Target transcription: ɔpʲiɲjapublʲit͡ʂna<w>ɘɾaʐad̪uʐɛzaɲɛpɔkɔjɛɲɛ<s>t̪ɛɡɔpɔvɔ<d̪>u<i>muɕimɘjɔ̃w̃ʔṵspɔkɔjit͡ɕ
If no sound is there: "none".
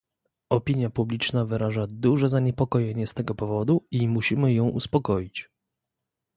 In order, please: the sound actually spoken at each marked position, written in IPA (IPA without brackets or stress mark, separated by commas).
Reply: v, s, d̪, i